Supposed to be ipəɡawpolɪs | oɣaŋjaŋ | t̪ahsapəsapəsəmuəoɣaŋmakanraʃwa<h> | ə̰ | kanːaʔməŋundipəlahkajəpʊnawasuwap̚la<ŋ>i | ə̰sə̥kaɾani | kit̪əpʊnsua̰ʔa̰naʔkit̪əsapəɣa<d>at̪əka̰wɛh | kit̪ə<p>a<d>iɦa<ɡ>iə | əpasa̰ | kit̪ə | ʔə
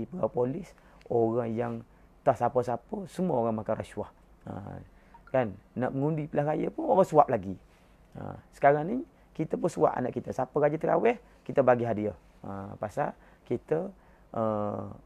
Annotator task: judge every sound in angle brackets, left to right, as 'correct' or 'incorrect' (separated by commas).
correct, incorrect, incorrect, incorrect, incorrect, incorrect